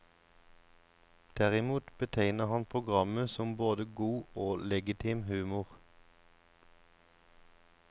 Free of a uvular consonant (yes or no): no